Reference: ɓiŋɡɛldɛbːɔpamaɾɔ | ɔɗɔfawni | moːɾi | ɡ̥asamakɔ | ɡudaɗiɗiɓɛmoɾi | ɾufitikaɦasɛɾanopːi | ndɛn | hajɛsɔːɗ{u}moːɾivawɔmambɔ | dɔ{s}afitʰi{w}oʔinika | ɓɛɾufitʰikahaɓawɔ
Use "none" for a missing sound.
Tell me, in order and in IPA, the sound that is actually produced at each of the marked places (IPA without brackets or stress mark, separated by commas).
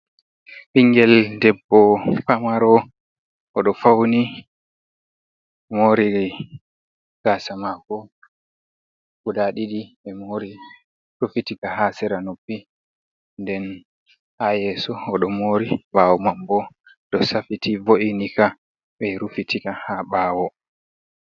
ɔ, s, v